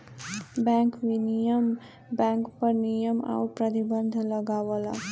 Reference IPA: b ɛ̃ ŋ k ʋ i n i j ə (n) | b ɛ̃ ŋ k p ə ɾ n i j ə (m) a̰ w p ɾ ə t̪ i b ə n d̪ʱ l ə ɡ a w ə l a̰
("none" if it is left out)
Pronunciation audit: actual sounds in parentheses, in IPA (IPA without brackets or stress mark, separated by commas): m, m